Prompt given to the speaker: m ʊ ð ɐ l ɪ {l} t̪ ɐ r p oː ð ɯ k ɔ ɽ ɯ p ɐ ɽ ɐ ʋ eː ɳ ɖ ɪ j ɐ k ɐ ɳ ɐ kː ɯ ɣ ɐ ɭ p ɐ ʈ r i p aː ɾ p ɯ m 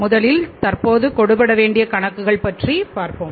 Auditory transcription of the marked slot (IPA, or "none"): l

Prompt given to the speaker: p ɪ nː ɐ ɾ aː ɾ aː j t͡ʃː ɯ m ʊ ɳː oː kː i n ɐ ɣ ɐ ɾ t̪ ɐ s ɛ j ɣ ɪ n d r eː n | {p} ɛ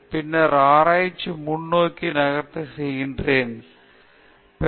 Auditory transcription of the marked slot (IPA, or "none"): p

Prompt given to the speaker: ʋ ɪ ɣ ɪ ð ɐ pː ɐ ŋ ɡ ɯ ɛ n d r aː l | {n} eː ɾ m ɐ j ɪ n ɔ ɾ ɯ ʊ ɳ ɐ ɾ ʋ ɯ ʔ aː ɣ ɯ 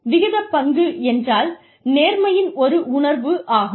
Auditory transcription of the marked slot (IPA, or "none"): n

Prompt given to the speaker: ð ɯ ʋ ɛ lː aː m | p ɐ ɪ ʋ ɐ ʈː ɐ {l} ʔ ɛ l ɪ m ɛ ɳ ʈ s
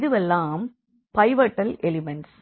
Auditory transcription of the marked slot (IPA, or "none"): l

